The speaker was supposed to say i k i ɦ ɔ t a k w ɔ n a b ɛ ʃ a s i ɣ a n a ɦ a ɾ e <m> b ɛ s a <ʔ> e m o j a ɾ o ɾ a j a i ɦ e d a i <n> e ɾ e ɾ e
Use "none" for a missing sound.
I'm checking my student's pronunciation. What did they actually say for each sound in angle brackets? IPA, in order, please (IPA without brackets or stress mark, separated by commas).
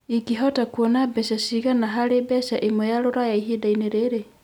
none, ʔ, n